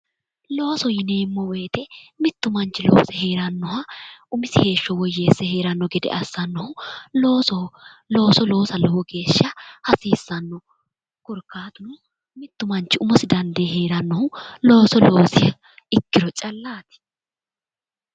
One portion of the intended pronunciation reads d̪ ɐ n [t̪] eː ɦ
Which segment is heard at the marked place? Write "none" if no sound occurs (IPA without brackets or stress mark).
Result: d̪